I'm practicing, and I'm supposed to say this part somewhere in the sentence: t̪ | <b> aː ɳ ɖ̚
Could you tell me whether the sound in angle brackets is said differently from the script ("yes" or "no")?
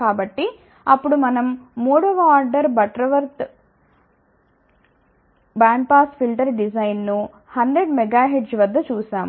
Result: no